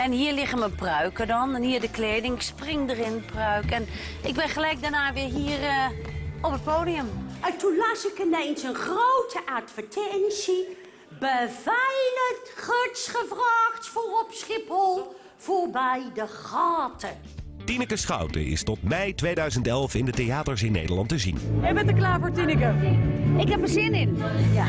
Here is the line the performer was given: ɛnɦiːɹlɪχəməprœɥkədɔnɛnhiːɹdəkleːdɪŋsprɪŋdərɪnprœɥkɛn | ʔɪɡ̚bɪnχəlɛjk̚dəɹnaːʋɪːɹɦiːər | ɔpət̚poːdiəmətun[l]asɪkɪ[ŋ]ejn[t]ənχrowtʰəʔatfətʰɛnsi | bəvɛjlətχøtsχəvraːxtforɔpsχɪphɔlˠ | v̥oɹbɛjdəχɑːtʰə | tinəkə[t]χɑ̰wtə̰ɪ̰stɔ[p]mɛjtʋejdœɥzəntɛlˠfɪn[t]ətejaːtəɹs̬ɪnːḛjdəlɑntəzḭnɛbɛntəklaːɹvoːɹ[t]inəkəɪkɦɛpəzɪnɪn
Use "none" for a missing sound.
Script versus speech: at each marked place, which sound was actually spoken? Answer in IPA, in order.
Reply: l, n, s, s, t, d, t

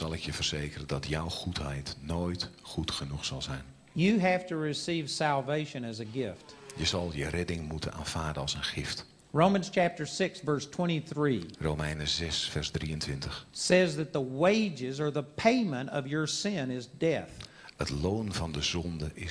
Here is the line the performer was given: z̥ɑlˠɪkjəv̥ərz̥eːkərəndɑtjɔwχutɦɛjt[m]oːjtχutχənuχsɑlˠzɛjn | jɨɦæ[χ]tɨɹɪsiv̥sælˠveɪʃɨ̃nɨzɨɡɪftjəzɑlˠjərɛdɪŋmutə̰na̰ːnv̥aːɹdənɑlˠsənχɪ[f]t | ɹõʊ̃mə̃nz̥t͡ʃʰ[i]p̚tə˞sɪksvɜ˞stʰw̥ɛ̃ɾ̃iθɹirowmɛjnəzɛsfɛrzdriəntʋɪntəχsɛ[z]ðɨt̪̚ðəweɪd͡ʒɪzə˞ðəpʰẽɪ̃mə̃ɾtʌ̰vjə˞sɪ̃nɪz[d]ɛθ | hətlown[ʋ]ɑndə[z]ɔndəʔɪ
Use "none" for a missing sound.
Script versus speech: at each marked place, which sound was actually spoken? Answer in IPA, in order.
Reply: n, f, f, æ, z, d, v, z

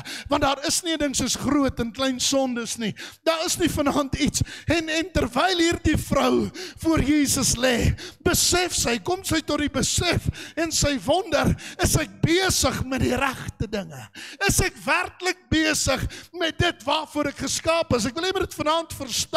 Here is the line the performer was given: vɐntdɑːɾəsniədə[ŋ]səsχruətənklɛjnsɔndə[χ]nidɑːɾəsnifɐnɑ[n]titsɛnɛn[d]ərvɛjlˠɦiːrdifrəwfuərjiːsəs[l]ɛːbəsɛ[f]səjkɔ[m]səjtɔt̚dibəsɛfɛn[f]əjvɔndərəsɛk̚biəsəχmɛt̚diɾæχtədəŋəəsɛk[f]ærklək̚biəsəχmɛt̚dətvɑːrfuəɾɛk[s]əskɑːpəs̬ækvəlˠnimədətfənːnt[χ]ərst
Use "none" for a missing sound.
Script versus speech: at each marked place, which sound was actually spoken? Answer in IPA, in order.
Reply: ŋ, s, n, t, l, f, m, s, v, χ, f

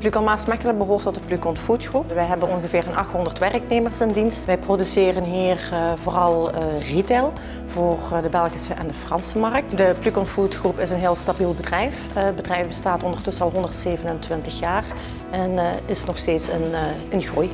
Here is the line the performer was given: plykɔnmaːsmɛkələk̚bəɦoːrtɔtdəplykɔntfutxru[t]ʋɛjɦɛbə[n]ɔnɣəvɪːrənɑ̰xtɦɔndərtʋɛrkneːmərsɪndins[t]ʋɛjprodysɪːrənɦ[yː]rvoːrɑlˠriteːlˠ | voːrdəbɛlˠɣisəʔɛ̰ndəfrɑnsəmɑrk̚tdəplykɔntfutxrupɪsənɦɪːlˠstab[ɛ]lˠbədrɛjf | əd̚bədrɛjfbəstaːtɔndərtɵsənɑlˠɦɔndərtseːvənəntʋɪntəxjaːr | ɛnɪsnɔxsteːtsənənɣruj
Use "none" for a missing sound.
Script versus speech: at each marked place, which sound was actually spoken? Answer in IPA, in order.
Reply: p, n, t, iː, i

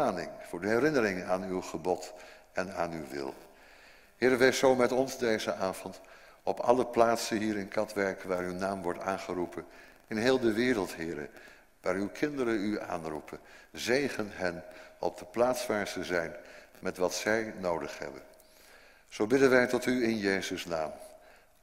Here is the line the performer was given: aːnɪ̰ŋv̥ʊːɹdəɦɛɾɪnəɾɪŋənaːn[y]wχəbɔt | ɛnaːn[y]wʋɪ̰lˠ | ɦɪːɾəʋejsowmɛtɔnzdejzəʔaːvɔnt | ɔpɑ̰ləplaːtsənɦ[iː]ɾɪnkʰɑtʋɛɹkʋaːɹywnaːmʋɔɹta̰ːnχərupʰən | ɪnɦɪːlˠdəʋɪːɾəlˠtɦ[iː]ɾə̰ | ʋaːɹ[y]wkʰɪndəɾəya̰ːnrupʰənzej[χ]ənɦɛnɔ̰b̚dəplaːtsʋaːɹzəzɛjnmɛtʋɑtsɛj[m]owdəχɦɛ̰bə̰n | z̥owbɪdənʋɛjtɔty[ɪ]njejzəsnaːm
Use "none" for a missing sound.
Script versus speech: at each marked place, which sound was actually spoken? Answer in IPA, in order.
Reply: y, y, iː, ɪː, y, χ, n, ɪ

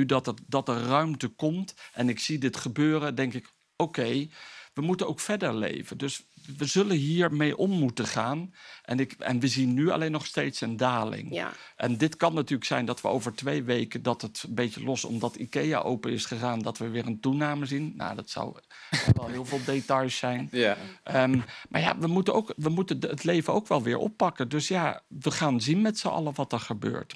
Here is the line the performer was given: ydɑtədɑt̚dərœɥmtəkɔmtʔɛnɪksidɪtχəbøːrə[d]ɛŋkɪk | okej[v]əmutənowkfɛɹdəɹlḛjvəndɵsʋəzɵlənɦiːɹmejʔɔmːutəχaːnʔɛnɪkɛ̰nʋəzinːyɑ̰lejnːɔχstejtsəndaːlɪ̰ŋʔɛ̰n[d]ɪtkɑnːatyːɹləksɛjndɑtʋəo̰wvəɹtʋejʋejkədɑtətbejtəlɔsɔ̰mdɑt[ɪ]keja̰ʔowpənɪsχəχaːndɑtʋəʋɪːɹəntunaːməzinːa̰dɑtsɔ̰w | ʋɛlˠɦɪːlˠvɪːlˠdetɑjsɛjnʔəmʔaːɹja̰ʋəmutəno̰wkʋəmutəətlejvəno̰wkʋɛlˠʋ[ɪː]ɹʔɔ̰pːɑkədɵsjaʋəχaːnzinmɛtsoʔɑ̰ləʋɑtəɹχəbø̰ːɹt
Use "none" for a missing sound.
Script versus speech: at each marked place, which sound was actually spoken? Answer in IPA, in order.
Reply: d, ʋ, d, i, ɪː

